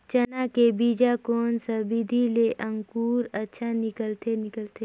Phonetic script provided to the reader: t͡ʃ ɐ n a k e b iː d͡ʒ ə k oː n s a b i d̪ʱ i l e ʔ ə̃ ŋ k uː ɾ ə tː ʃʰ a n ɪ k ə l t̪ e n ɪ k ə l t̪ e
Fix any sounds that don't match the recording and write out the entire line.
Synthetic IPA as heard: t͡ʃ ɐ n a k e b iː d͡ʒ a k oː n s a b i d̪ʱ i l e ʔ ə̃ ŋ k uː ɾ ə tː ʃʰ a n ɪ k ə l t̪ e n ɪ k ə l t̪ e